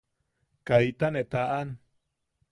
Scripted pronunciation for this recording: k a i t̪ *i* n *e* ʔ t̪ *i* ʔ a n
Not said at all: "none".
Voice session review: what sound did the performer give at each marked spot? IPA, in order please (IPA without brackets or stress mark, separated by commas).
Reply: a, e, a